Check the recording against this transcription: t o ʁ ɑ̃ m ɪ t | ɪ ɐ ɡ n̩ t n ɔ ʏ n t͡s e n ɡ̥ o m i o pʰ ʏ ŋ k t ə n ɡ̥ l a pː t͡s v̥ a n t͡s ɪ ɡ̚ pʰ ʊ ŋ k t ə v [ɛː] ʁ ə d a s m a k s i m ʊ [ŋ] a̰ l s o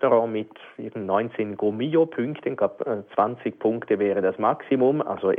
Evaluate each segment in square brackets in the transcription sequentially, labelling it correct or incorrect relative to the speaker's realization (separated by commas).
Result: correct, incorrect